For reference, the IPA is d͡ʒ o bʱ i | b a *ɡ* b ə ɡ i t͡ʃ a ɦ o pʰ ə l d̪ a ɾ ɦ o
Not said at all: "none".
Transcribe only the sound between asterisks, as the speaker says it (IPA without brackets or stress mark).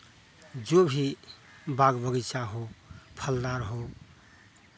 ɡ